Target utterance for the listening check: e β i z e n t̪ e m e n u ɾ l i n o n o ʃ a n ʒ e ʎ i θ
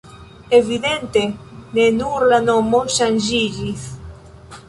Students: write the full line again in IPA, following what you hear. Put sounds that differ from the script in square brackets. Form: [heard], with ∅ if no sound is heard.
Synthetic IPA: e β i [ð] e n t̪ e [n] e n u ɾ l [a] n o [m] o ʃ a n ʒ [i] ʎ i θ

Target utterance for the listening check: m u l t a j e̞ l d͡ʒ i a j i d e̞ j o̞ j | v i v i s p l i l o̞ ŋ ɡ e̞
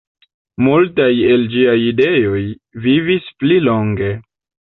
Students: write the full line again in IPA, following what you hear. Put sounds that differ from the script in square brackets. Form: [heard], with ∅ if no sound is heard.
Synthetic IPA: m u l t a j e̞ l d͡ʒ i a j i d e̞ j o̞ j | v i v i s p l i l o̞ ŋ ɡ e̞

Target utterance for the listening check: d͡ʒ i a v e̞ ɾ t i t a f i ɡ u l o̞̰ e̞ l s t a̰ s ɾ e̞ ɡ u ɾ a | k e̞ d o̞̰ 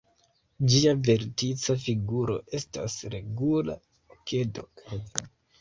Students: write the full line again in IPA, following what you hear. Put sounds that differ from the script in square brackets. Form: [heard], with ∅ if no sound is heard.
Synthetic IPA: d͡ʒ i a v e̞ ɾ t i [t͡s] a f i ɡ u [ɾ] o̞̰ e̞ [∅] s t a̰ s ɾ e̞ ɡ u [l] a | k e̞ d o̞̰

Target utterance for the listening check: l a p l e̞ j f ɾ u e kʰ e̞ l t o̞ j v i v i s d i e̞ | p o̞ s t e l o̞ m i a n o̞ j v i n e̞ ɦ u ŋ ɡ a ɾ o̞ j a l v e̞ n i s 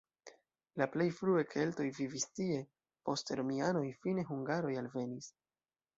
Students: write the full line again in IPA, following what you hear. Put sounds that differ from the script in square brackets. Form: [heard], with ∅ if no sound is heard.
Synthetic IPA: l a p l e̞ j f ɾ u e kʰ e̞ l t o̞ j v i v i s [t] i e̞ | p o̞ s t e [ɾ] o̞ m i a n o̞ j [f] i n e̞ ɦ u ŋ ɡ a ɾ o̞ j a l v e̞ n i s

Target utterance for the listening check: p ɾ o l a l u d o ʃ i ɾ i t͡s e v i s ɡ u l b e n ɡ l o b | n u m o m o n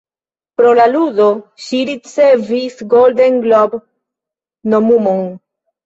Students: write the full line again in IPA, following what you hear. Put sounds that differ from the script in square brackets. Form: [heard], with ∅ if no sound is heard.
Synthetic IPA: p ɾ o l a l u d o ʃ i ɾ i t͡s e v i s ɡ [o] l [d] e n ɡ l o b | n [o] m [u] m o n

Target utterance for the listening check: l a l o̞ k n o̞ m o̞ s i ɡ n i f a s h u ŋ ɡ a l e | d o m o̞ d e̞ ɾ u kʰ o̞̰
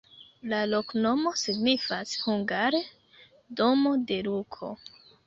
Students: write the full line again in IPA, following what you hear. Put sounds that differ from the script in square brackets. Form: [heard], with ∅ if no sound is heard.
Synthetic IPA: l a l o̞ k n o̞ m o̞ s i ɡ n i f a s h u ŋ ɡ a [ɾ] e | d o m o̞ d e̞ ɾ u kʰ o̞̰

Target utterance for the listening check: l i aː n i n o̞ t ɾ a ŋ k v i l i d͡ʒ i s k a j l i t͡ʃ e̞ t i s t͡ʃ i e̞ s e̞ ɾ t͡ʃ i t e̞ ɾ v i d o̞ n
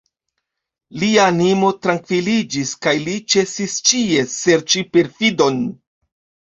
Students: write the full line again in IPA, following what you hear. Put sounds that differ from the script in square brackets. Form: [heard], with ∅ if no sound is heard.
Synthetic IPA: l i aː n i [m] o̞ t ɾ a ŋ k v i l i d͡ʒ i s k a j l i t͡ʃ e̞ [s] i s t͡ʃ i e̞ s e̞ ɾ t͡ʃ i [p] e̞ ɾ [f] i d o̞ n

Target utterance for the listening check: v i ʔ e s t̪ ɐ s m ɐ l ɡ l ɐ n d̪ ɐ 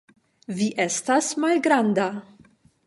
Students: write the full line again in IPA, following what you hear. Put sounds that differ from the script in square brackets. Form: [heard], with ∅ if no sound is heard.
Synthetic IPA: v i ʔ [ɛ] s t̪ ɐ s m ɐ l ɡ [ɾ] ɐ n d̪ ɐ

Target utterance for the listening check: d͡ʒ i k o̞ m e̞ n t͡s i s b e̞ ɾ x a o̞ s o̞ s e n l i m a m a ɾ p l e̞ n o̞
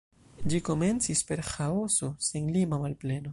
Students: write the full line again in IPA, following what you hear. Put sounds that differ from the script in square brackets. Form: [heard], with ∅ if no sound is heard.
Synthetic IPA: d͡ʒ i k o̞ m e̞ n t͡s i s [p] e̞ ɾ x a o̞ s o̞ s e n l i m a m a [l] p l e̞ n o̞

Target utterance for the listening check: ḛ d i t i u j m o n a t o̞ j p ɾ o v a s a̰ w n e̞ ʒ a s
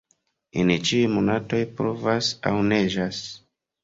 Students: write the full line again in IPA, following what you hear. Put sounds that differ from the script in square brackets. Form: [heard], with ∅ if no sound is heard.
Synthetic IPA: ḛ [n] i [t͡ʃ] i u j m o n a t o̞ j p ɾ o v a s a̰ w n e̞ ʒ a s

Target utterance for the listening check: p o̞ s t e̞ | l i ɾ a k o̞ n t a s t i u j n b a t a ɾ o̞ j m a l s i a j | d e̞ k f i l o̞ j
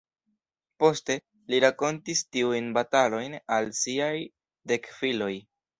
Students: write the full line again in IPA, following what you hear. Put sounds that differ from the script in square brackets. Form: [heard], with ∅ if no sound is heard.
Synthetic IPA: p o̞ s t e̞ | l i ɾ a k o̞ n t [i] s t i u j n b a t a [l] o̞ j [n] a l s i a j | d e̞ k f i l o̞ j

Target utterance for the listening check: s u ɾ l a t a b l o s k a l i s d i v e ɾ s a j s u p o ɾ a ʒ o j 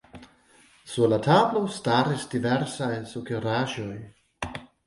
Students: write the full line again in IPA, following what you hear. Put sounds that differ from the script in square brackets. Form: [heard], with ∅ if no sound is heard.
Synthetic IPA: s u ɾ l a t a b l o s [t] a [ɾ] i s d i v e ɾ s a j s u [k] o ɾ a ʒ o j

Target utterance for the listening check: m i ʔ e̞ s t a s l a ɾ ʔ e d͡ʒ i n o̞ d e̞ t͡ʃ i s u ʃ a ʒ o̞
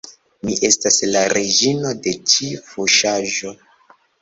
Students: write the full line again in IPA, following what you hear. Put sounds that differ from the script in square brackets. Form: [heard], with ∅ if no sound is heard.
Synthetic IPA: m i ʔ e̞ s t a s l a ɾ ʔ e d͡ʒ i n o̞ d e̞ t͡ʃ i [f] u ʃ a ʒ o̞

